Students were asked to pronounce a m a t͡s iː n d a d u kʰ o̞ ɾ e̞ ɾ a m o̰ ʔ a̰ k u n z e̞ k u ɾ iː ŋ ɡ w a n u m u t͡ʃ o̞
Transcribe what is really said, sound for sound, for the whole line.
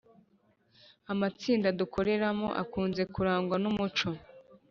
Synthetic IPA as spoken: a m a t͡s iː n d a d u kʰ o̞ ɾ e̞ ɾ a m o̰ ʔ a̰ k uː n z e̞ k u ɾ aː ŋ ɡ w a n u m u t͡ʃ o̞